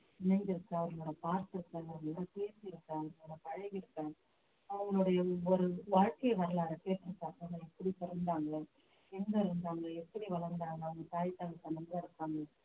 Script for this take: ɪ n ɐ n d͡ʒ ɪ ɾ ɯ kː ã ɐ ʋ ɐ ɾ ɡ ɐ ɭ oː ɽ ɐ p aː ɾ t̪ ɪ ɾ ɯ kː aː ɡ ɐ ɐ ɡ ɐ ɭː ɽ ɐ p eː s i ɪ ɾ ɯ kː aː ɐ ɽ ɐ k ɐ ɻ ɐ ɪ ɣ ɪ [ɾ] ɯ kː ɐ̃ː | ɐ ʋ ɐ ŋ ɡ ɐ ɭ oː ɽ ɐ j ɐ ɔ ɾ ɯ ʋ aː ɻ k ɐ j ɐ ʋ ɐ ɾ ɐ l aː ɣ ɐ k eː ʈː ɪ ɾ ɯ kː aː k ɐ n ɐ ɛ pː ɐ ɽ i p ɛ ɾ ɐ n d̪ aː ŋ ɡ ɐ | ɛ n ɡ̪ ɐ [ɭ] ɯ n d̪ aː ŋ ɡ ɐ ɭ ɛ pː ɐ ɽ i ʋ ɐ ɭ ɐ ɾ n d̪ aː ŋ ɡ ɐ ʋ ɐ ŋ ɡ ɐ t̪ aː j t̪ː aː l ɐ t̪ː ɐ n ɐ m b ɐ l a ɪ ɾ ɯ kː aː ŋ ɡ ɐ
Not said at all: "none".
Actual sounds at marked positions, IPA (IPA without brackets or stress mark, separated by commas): ɾ, ɾ